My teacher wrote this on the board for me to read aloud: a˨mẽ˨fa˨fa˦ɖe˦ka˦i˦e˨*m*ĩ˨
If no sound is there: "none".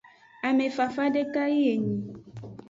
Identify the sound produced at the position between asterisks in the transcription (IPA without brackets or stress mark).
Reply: ɲ